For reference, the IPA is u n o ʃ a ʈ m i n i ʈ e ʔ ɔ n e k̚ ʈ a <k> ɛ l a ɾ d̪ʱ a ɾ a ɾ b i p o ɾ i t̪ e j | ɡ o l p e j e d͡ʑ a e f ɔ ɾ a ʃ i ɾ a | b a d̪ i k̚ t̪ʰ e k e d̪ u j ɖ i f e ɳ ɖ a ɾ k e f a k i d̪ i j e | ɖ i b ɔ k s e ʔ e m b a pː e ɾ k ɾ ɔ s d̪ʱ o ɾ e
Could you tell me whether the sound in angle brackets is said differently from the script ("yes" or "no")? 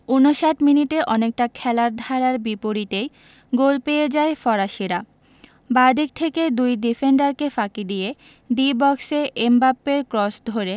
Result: yes